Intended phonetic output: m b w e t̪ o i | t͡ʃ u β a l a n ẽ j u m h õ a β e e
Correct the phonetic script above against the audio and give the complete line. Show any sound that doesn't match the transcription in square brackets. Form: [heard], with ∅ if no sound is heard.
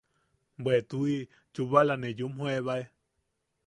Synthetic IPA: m b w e t̪ [u] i | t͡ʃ u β a l a n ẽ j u m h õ [e] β [a] e